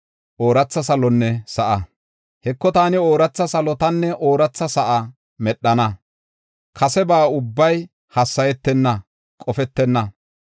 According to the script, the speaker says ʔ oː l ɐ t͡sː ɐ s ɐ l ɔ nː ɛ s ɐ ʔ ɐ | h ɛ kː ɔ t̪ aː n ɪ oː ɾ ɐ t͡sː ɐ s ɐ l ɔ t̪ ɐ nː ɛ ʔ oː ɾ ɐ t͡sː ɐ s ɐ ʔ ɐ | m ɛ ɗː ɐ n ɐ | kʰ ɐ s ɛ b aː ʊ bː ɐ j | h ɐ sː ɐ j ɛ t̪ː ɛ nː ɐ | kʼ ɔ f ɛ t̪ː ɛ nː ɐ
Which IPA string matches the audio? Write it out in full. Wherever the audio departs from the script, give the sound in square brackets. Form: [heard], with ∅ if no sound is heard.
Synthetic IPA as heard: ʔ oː [ɾ] ɐ t͡sː ɐ s ɐ l ɔ nː ɛ s ɐ ʔ ɐ | h ɛ kː ɔ t̪ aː n ɪ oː ɾ ɐ t͡sː ɐ s ɐ l ɔ t̪ ɐ nː ɛ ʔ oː ɾ ɐ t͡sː ɐ s ɐ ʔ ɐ | m ɛ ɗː ɐ n ɐ | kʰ ɐ s ɛ b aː ʊ bː ɐ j | h ɐ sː ɐ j ɛ t̪ː ɛ nː ɐ | kʼ ɔ f ɛ t̪ː ɛ nː ɐ